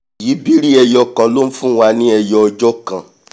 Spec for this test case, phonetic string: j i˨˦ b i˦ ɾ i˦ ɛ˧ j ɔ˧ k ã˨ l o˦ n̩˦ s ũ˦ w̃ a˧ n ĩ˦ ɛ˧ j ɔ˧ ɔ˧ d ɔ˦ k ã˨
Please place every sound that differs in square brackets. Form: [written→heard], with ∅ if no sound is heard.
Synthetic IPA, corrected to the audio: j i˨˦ b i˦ ɾ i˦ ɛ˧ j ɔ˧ k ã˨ l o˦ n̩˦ [s→f] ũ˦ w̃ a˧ n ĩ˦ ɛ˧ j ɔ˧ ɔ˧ [d→d͡ʒ] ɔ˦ k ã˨